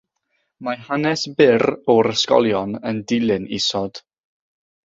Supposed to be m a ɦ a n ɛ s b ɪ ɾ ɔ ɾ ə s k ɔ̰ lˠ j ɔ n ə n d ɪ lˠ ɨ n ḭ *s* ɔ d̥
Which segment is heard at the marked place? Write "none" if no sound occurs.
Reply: s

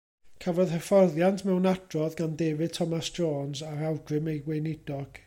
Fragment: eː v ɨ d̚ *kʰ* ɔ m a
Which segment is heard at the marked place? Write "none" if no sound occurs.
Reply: tʰ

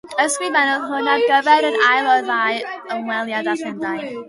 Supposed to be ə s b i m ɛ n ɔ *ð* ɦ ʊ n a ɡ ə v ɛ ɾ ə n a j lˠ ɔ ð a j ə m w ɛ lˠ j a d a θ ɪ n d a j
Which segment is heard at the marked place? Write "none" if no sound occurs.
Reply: ð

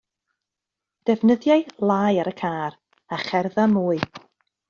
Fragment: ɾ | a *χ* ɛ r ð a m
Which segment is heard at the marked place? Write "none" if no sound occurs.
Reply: χ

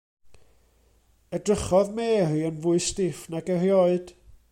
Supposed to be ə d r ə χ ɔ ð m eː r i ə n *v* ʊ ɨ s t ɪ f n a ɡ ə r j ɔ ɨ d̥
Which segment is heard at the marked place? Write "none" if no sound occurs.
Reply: v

